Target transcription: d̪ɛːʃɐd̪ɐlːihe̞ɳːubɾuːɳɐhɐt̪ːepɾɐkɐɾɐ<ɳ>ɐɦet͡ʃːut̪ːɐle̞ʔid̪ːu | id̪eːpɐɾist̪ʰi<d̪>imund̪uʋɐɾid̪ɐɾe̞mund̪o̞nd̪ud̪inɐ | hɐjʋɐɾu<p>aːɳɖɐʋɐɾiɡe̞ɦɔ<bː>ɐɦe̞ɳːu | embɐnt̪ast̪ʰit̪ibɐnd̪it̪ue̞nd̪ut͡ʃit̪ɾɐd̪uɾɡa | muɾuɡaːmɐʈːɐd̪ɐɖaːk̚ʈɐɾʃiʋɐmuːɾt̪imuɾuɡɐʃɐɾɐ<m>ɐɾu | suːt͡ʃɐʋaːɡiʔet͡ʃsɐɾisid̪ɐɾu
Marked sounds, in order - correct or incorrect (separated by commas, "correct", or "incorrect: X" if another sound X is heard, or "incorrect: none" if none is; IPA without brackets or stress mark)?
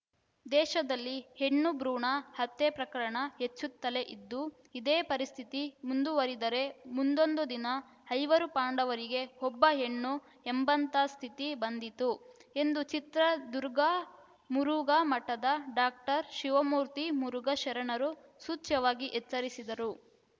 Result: correct, incorrect: t̪, correct, correct, incorrect: ɳ